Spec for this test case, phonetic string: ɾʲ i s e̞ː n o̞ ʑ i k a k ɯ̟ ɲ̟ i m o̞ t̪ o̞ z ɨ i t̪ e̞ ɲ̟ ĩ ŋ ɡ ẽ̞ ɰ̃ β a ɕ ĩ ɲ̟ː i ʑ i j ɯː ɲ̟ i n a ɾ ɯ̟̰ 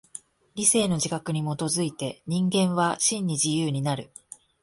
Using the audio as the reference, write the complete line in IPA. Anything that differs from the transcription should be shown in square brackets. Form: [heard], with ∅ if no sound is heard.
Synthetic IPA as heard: ɾʲ i s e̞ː n o̞ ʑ i k a k ɯ̟ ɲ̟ i m o̞ t̪ o̞ z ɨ i t̪ e̞ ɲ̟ ĩ ŋ ɡ ẽ̞ ɰ̃ β a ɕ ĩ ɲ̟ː i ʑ i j ɯː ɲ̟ i n a ɾ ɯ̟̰